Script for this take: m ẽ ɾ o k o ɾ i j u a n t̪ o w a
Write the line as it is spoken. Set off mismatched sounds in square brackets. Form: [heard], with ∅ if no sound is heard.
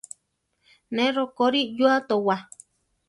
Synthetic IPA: [n] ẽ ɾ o k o ɾ i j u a [∅] t̪ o w a